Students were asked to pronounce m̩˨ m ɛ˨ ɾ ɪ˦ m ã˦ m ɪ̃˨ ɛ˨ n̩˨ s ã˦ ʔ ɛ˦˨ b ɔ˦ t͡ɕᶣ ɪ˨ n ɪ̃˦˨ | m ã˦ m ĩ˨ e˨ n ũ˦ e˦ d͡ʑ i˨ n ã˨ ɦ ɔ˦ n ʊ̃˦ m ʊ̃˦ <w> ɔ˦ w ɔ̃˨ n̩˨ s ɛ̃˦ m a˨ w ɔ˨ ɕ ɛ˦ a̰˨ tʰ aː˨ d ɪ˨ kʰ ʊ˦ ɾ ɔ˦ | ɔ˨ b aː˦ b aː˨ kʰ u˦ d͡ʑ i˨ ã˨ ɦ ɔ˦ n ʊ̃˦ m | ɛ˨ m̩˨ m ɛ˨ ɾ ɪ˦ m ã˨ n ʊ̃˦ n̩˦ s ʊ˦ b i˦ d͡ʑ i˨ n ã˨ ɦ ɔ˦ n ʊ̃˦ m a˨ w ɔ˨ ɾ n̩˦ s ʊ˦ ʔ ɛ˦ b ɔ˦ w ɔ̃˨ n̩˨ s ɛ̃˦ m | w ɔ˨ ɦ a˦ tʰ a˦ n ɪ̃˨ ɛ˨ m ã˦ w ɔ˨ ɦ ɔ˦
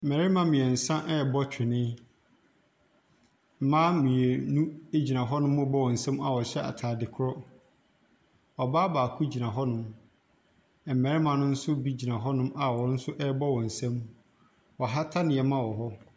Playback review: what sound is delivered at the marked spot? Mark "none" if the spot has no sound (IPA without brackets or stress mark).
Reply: b